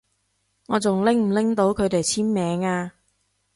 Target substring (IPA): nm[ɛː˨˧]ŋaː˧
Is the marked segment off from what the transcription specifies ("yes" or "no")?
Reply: no